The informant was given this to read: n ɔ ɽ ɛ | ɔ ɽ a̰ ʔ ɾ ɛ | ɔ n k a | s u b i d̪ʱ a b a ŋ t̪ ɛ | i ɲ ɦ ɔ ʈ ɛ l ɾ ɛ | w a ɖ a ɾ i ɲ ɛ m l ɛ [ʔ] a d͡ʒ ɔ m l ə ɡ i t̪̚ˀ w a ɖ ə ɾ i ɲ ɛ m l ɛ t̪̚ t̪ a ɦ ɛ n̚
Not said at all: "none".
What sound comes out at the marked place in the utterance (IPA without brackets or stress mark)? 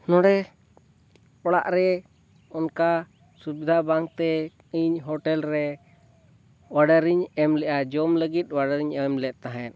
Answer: ʔ